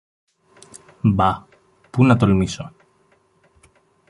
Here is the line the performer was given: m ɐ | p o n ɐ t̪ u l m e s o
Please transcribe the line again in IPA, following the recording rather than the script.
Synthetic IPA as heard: b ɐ | p u n ɐ t̪ o l m i s o